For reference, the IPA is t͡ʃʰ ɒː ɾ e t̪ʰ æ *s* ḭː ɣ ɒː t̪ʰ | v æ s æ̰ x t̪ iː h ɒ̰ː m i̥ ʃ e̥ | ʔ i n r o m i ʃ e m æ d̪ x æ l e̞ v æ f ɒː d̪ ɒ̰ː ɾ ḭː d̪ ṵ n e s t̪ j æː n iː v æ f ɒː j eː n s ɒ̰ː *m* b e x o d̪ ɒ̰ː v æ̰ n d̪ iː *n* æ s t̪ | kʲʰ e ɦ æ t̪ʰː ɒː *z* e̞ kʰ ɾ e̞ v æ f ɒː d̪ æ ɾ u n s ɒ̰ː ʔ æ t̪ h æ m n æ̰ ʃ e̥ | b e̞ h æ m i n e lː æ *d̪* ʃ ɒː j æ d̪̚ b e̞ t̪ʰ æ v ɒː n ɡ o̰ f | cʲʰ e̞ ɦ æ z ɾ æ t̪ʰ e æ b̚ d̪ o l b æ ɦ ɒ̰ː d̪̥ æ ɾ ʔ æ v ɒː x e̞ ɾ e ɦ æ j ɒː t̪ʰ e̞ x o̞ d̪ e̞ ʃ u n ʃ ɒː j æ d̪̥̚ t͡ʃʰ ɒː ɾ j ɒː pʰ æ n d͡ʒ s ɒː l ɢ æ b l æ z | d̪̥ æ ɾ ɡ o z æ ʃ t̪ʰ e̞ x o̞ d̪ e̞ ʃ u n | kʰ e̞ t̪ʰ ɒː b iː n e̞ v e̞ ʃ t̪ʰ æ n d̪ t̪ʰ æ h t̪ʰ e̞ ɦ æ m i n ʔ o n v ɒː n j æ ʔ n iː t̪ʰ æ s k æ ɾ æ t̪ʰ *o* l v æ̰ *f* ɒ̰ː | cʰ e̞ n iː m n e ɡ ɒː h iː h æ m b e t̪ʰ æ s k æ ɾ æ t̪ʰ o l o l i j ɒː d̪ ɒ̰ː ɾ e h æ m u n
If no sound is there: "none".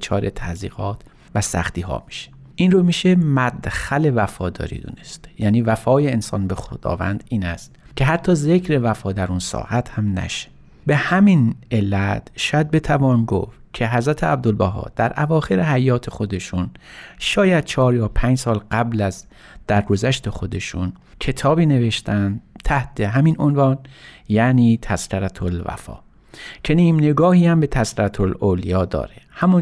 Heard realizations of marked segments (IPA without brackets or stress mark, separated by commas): z, n, n, z, t̪, o, f